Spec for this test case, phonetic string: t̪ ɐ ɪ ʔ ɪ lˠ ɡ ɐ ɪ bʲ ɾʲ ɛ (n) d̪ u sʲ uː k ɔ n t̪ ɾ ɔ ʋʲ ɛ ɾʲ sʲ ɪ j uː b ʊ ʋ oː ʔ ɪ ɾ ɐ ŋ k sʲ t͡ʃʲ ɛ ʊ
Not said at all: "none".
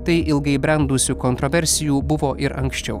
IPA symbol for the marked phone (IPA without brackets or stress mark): n